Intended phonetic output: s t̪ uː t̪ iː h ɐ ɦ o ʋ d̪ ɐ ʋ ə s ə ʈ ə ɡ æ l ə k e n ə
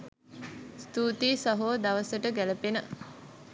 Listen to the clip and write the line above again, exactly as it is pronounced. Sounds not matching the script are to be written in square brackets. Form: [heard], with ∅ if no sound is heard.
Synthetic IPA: s t̪ uː t̪ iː [s] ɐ ɦ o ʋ d̪ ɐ ʋ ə s ə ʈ ə ɡ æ l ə [p] e n ə